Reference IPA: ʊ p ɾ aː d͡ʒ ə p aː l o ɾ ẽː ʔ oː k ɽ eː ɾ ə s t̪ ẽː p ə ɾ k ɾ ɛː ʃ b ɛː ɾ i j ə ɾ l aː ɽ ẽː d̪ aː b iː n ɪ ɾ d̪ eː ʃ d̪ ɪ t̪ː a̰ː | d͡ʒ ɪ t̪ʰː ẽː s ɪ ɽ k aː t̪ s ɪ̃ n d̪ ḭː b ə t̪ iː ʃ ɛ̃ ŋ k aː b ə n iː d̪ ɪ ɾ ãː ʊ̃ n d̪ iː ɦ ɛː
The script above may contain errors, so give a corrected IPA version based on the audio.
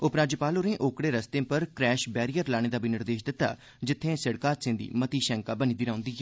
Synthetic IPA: ʊ p ɾ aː d͡ʒ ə p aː l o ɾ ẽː ʔ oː k ɽ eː ɾ ə s t̪ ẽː p ə ɾ k ɾ ɛː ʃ b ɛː ɾ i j ə ɾ l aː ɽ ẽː d̪ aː b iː n ɪ ɾ d̪ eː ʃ d̪ ɪ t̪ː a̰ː | d͡ʒ ɪ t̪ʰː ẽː s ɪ ɽ k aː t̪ s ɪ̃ n d̪ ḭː m ə t̪ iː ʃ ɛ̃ ŋ k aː b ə n iː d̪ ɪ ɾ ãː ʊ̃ n d̪ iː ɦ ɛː